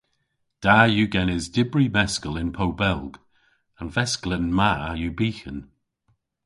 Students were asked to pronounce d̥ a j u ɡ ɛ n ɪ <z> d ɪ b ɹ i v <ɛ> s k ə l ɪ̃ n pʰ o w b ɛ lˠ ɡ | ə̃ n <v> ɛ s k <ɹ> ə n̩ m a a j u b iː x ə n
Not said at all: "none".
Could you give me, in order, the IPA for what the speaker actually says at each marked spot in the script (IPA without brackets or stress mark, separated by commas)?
z, ɛ, v, l